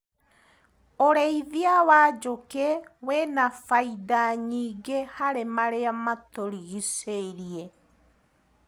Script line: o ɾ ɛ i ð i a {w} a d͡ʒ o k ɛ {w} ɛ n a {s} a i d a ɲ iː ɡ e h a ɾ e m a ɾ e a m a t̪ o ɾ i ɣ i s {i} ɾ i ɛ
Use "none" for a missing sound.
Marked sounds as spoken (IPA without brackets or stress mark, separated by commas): w, w, f, e